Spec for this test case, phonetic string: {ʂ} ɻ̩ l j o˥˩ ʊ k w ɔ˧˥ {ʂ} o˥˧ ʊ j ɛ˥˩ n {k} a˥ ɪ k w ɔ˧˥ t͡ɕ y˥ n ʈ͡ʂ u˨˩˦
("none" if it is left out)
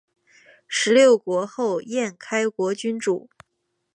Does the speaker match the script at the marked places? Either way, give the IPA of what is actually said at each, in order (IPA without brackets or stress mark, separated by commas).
ʂ, x, kʰ